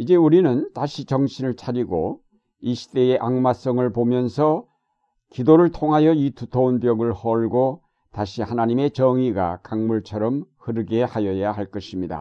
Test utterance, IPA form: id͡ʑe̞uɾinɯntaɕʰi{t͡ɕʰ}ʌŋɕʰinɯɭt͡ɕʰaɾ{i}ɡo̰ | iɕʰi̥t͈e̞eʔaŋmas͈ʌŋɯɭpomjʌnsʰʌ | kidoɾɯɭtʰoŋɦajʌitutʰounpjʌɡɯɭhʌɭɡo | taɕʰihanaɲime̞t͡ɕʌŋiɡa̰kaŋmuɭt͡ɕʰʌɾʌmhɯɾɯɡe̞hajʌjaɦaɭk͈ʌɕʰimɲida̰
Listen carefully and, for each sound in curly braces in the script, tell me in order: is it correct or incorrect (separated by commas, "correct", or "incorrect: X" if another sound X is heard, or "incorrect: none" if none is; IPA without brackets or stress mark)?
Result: incorrect: t͡ɕ, correct